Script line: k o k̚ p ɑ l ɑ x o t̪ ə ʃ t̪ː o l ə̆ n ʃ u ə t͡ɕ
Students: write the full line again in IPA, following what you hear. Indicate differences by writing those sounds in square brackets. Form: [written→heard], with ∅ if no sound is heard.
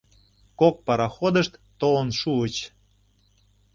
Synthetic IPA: k o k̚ p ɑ [l→ɾ] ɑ x o [t̪→d̪] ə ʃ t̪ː o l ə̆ n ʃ u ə t͡ɕ